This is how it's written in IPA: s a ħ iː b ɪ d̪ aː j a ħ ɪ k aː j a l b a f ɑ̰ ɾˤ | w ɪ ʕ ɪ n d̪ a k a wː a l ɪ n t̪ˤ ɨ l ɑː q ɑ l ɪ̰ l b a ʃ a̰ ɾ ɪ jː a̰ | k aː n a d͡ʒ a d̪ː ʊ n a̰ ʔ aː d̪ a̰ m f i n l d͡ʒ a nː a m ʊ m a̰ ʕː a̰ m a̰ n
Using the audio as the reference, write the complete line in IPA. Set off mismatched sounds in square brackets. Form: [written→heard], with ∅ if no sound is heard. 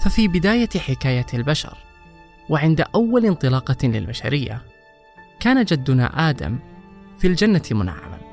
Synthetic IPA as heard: [s→f] a [ħ→f] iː b ɪ d̪ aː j a ħ ɪ k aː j a l b a [f→ʃ] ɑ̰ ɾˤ | w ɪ ʕ ɪ n d̪ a [k→ʔ] a wː a l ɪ n t̪ˤ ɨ l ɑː q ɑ l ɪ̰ l b a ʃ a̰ ɾ ɪ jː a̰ | k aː n a d͡ʒ a d̪ː ʊ n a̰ ʔ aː d̪ a̰ m f i [n→∅] l d͡ʒ a nː a m ʊ [m→n] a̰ ʕː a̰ m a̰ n